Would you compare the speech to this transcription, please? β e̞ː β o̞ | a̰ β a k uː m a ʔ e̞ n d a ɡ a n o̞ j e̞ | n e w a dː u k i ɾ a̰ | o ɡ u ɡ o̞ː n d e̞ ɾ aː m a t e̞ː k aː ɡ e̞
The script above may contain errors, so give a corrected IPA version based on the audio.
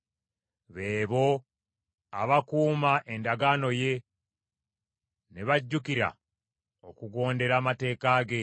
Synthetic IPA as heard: β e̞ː β o̞ | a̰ β a k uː m a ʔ e̞ n d a ɡ a n o̞ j e̞ | n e β a ɟː u k i ɾ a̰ | o k u ɡ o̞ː n d e̞ ɾ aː m a t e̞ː k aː ɡ e̞